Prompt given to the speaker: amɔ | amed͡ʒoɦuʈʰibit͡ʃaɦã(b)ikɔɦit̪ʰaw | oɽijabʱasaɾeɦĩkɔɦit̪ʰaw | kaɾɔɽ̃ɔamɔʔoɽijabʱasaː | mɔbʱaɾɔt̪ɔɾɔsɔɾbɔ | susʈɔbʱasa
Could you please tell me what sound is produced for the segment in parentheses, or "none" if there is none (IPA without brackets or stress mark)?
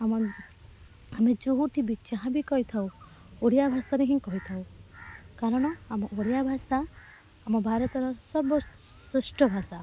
b